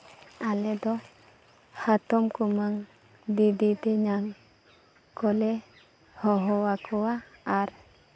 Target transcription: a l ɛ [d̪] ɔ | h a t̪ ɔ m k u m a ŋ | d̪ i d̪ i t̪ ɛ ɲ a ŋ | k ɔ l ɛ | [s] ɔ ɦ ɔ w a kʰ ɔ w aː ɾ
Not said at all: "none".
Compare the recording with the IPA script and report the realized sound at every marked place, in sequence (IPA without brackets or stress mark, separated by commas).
d̪, h